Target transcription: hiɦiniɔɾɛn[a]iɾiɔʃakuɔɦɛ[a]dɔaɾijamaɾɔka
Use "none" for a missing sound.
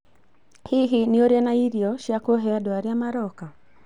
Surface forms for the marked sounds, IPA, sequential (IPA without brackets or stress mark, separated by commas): a, a